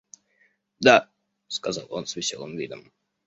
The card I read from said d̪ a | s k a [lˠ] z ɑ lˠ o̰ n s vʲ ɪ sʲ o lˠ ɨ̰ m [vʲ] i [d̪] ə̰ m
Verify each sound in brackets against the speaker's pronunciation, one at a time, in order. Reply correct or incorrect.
incorrect, correct, correct

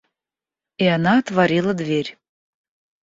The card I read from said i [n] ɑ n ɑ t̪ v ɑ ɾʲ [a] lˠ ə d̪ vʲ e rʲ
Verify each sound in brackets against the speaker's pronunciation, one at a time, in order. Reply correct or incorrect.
incorrect, incorrect

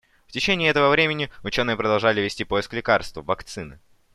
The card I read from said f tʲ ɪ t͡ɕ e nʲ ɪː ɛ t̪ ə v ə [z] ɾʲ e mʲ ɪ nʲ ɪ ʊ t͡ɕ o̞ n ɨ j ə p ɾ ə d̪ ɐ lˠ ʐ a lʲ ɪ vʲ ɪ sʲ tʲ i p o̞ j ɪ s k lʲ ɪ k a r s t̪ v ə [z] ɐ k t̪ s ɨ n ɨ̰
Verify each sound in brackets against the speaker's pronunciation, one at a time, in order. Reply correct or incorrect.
incorrect, incorrect

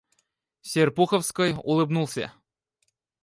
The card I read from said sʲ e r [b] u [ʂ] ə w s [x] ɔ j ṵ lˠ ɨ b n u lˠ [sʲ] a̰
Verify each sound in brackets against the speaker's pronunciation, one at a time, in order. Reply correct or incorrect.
incorrect, incorrect, incorrect, correct

